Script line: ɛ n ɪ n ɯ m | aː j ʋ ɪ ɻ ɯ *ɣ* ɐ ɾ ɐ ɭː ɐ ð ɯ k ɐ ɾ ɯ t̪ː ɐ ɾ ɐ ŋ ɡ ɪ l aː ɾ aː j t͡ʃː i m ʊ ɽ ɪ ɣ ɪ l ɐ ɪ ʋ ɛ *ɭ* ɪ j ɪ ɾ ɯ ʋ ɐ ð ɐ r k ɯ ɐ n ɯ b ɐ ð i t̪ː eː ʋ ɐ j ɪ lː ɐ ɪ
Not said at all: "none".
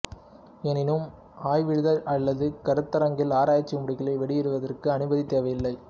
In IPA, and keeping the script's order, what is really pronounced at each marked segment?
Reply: ð, ɽ

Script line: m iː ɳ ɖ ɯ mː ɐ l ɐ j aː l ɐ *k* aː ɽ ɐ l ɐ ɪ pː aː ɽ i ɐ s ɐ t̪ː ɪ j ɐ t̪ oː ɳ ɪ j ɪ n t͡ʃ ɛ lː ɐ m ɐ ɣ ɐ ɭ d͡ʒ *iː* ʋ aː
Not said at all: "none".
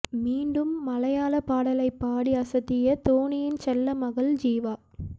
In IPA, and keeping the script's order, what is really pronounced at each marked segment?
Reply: p, iː

